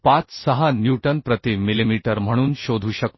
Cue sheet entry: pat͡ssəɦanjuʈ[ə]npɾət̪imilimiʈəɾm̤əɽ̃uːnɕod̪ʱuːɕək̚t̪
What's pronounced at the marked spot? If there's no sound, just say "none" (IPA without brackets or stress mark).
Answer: ə